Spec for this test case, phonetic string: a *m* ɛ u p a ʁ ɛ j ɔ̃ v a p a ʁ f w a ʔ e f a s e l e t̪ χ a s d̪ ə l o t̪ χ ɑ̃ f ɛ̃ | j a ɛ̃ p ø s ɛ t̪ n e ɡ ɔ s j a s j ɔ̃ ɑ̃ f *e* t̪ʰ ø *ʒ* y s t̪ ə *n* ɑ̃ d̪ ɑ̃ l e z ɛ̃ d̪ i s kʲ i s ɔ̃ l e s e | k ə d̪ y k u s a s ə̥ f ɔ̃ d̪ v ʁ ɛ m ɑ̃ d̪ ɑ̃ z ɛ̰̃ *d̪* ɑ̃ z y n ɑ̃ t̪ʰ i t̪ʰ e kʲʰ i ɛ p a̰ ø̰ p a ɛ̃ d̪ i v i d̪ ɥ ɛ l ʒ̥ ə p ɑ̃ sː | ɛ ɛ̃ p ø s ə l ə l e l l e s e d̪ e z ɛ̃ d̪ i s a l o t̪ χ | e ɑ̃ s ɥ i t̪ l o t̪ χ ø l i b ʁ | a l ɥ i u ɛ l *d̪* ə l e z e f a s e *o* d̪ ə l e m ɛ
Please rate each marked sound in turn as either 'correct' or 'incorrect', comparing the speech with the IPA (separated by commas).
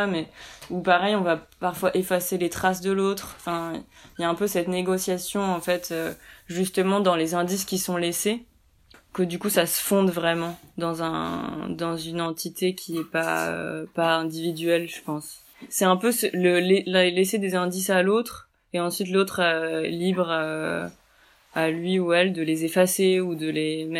correct, incorrect, correct, incorrect, correct, correct, incorrect